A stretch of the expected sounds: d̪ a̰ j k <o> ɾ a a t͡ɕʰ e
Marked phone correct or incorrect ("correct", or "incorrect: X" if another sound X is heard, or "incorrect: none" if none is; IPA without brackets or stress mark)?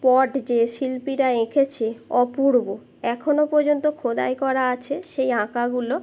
incorrect: ɔ